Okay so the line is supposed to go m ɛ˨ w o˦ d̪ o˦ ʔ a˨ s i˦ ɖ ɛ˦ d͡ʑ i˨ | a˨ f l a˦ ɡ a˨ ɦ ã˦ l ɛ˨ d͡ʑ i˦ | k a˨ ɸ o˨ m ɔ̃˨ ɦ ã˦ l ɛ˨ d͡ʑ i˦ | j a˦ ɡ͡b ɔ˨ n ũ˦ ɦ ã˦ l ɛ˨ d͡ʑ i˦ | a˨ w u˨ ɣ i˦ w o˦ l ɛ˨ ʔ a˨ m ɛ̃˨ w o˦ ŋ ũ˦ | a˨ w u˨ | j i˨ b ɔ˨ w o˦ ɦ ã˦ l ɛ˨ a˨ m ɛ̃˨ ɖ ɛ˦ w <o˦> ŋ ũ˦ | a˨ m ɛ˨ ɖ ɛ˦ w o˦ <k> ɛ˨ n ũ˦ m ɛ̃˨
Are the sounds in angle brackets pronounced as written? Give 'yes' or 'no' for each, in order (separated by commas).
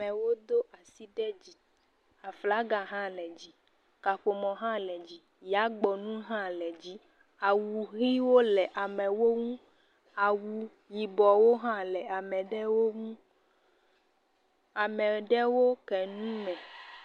yes, yes